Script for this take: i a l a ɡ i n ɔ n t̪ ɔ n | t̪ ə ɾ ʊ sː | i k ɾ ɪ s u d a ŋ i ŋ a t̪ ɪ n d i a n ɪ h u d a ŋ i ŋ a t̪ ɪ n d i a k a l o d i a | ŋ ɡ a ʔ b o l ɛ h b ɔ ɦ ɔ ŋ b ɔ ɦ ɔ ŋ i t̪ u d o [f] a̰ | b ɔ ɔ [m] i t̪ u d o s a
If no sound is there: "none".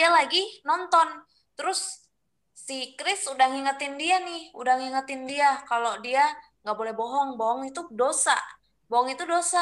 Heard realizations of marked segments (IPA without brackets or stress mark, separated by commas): s, ŋ